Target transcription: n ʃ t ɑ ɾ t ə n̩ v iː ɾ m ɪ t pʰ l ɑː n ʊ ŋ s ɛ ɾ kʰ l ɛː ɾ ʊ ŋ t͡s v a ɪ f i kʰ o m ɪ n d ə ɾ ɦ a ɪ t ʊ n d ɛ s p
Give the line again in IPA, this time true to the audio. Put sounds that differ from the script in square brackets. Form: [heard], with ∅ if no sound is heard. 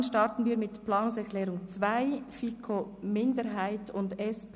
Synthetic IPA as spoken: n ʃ t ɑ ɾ t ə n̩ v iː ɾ m ɪ t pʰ l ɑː n ʊ ŋ s ɛ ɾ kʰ l ɛː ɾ ʊ ŋ t͡s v a ɪ f i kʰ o m ɪ n d ə ɾ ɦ a ɪ t ʊ n d ɛ s p